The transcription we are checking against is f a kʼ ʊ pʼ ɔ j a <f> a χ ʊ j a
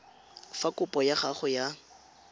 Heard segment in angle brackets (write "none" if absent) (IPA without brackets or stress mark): χ